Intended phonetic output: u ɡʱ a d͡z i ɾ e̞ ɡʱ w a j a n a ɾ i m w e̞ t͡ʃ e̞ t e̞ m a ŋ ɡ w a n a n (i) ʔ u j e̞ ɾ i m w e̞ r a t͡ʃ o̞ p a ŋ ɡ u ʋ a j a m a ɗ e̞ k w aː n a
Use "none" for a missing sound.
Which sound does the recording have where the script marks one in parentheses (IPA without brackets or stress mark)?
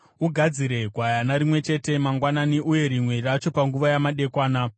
i